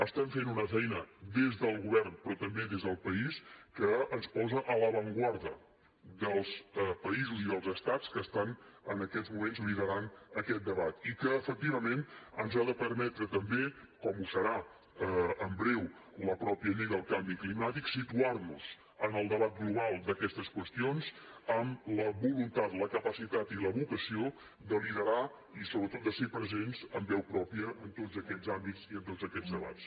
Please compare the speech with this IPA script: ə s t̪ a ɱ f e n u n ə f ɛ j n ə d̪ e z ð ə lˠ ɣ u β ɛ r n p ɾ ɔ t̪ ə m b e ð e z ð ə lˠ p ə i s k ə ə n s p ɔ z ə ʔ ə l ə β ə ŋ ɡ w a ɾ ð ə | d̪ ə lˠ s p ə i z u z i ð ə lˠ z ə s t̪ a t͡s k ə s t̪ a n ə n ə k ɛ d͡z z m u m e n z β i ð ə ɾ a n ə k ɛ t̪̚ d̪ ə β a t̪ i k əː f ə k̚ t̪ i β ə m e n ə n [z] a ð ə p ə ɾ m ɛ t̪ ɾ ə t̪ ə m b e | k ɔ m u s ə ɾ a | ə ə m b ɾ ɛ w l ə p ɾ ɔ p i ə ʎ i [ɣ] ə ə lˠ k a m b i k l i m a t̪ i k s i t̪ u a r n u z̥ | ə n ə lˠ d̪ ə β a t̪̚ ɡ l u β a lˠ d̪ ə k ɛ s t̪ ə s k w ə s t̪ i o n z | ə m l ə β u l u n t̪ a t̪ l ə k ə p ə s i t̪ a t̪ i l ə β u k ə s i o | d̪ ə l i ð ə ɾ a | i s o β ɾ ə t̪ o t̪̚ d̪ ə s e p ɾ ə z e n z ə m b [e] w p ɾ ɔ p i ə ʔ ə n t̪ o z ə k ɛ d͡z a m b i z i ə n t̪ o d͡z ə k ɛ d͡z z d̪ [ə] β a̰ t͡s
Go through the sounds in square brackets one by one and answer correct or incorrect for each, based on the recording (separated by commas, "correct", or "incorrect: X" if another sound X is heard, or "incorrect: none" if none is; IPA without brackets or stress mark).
correct, correct, incorrect: ɛ, correct